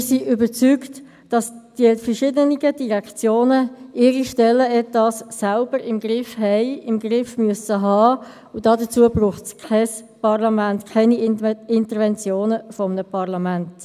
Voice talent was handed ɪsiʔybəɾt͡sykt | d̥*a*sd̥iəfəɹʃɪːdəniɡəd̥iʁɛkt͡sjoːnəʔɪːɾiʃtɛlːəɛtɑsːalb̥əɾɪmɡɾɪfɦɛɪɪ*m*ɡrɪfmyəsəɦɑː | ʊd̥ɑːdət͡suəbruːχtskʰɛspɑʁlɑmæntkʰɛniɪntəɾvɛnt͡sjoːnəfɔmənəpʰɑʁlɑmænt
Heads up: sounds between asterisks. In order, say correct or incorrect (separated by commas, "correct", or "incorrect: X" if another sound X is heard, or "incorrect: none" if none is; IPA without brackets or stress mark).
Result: incorrect: ɑ, correct